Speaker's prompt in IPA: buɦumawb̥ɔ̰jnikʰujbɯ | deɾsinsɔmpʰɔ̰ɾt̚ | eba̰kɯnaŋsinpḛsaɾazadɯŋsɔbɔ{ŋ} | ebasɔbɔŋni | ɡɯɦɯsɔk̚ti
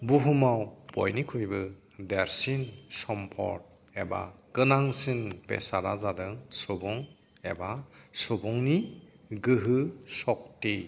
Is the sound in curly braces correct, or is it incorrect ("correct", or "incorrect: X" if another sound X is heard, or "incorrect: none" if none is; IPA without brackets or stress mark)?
correct